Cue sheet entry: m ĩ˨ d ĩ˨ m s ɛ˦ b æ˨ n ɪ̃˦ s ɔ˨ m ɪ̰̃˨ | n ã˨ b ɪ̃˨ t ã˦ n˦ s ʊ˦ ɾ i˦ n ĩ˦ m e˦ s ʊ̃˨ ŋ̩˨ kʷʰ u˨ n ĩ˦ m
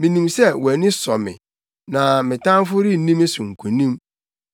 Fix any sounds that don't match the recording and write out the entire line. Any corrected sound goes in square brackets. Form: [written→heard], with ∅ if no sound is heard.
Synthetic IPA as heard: m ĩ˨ [d→n] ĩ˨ m s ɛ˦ [b→w] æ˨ n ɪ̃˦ s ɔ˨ m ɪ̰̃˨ | n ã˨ [b→m] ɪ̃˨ t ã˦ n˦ [s→f] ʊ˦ ɾ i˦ n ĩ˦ m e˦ s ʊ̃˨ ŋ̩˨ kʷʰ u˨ n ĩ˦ m